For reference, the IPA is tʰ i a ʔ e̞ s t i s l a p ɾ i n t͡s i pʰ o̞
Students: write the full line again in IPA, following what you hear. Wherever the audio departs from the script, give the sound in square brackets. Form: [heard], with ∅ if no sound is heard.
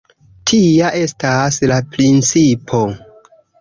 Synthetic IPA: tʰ i a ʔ e̞ s t [a] s l a p ɾ i n t͡s i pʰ o̞